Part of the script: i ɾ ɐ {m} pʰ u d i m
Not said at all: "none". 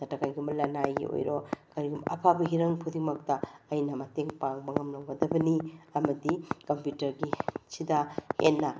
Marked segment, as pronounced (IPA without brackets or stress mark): ŋ